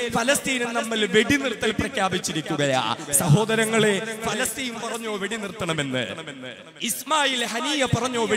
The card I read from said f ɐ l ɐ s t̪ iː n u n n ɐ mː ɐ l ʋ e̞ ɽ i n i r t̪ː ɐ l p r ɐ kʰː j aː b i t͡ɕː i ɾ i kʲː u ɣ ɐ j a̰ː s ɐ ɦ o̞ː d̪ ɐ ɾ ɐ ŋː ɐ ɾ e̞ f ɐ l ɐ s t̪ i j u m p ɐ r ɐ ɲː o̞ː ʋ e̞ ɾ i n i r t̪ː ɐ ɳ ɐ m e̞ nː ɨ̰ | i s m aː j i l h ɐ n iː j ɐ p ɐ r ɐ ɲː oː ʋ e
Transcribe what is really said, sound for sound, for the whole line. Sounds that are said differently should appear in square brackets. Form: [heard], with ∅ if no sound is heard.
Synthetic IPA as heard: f ɐ l ɐ s t̪ iː n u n n ɐ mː ɐ l ʋ e̞ ɽ i n i r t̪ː ɐ l p r ɐ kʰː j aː b i t͡ɕː i ɾ i kʲː u ɣ ɐ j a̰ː s ɐ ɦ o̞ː d̪ ɐ ɾ ɐ ŋː ɐ [ɭ] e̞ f ɐ l ɐ s t̪ i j u m p ɐ r ɐ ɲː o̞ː ʋ e̞ [ɽ] i n i r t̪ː ɐ ɳ ɐ m e̞ nː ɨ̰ | i s m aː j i l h ɐ n iː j ɐ p ɐ r ɐ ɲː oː ʋ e

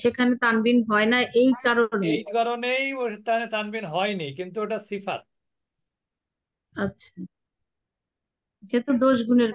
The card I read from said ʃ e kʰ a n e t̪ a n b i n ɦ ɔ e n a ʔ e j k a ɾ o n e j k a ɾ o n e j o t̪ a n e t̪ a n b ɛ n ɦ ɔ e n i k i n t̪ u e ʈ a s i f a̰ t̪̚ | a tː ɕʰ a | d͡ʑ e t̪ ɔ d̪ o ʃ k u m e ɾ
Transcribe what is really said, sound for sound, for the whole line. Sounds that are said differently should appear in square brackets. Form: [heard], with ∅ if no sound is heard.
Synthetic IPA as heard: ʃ e kʰ a n e t̪ a n b i n ɦ ɔ e n a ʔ e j k a ɾ o n e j k a ɾ o n e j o t̪ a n e t̪ a n b [i] n ɦ ɔ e n i k i n t̪ u e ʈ a s i f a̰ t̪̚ | a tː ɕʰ a | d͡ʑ e t̪ [o] d̪ o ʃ [ɡ] u [n] e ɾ

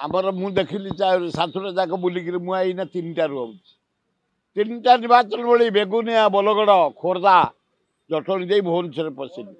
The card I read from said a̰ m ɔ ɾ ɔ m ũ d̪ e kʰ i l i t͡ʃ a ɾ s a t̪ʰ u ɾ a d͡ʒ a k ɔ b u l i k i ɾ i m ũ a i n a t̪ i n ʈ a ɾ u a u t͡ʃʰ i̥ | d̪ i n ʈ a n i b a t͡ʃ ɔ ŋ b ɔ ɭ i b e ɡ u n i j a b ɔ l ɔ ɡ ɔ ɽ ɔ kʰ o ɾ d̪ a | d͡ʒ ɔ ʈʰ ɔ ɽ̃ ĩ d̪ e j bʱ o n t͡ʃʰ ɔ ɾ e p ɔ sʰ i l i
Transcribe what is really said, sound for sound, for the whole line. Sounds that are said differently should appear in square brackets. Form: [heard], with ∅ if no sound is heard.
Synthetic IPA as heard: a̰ m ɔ ɾ ɔ m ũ d̪ e kʰ i l i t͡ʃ a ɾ s a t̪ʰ u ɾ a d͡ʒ a k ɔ b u l i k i ɾ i m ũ a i n a t̪ i n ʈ a ɾ u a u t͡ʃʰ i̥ | [t̪] i n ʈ a n i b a t͡ʃ ɔ [n] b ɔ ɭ i b e ɡ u n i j a b ɔ l ɔ ɡ ɔ ɽ ɔ kʰ o ɾ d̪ a | d͡ʒ ɔ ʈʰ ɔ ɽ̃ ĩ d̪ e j bʱ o n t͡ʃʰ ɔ ɾ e p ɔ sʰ i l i

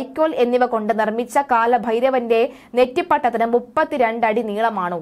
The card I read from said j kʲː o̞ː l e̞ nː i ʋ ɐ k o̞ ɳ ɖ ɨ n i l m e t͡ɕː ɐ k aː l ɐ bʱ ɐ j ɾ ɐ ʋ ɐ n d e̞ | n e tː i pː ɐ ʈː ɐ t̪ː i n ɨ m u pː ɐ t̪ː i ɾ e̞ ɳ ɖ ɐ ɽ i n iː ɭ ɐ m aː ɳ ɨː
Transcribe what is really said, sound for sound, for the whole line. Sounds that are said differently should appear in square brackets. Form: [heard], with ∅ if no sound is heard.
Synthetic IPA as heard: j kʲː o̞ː l e̞ nː i ʋ ɐ k o̞ ɳ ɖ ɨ n i [r] m [i] t͡ɕː ɐ k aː l ɐ bʱ ɐ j ɾ ɐ ʋ ɐ n d e̞ | n e tː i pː ɐ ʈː ɐ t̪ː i n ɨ m u pː ɐ t̪ː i ɾ e̞ ɳ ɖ ɐ ɽ i n iː ɭ ɐ m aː ɳ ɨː

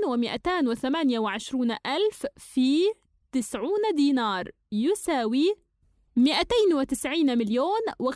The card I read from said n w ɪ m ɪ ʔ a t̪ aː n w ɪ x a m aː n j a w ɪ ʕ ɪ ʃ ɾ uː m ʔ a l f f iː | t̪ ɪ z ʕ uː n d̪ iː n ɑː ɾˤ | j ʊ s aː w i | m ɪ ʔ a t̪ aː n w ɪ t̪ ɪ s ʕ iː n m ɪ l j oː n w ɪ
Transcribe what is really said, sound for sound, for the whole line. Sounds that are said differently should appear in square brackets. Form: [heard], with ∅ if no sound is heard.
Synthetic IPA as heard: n w ɪ m ɪ ʔ a t̪ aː n w ɪ [θ] a m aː n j a w ɪ ʕ ɪ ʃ ɾ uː [n] ʔ a l f f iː | t̪ ɪ [s] ʕ uː n d̪ iː n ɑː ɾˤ | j ʊ s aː w i | m ɪ ʔ a t̪ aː n w ɪ t̪ ɪ s ʕ iː n m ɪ l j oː n w ɪ

